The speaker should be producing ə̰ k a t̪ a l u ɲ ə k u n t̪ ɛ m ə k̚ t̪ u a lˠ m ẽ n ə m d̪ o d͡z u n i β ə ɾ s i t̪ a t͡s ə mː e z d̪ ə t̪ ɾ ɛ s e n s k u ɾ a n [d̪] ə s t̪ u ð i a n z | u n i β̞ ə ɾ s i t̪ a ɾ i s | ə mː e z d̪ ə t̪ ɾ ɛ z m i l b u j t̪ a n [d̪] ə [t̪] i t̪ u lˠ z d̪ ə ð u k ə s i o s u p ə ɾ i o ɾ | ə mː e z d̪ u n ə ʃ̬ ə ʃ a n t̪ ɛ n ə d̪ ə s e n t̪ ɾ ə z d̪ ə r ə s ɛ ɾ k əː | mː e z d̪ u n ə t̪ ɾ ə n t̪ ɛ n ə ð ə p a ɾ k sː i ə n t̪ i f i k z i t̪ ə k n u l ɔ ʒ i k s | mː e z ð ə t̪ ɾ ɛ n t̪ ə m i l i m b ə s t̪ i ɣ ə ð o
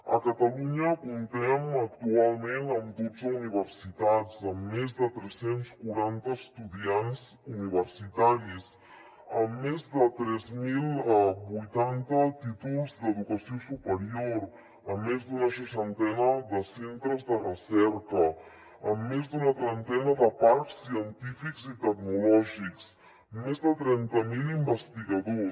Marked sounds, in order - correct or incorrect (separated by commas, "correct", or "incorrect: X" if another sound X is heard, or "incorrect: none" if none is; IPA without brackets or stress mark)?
incorrect: t̪, incorrect: t̪, correct